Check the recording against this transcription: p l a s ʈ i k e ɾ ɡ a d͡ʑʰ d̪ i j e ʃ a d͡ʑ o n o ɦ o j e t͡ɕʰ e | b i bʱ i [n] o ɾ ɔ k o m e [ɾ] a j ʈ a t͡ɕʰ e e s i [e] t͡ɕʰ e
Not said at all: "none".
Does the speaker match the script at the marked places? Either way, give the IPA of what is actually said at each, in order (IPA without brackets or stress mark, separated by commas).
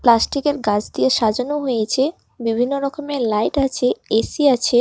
nː, l, a